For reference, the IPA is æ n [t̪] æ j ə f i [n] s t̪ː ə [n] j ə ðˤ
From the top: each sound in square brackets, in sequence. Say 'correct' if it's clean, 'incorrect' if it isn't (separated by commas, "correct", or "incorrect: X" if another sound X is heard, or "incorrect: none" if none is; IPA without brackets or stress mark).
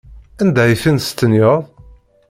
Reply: incorrect: d̪, correct, correct